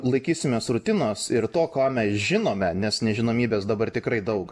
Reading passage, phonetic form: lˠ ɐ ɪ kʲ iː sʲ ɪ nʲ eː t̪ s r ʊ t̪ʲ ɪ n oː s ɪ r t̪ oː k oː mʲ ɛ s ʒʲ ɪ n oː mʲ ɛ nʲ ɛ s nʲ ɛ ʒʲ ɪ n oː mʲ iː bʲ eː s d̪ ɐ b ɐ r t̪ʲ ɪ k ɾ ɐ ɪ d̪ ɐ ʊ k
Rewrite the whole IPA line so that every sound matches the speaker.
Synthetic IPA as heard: lˠ ɐ ɪ kʲ iː sʲ ɪ mʲ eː s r ʊ t̪ʲ ɪ n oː s ɪ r t̪ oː k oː mʲ ɛ s ʒʲ ɪ n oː mʲ ɛ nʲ ɛ s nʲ ɛ ʒʲ ɪ n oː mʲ iː bʲ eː s d̪ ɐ b ɐ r t̪ʲ ɪ k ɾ ɐ ɪ d̪ ɐ ʊ k